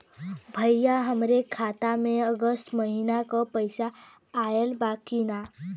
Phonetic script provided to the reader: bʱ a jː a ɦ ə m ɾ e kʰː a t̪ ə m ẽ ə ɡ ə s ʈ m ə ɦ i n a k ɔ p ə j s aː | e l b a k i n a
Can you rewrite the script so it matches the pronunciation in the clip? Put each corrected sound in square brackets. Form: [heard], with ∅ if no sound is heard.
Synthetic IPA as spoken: bʱ [ə] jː a ɦ ə m ɾ e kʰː a t̪ [a] m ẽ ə ɡ ə s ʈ m ə ɦ i n a k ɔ p ə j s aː | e l b a k i n a